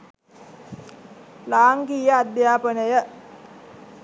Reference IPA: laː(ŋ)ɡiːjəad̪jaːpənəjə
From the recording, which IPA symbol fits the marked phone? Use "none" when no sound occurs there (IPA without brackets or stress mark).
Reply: ŋ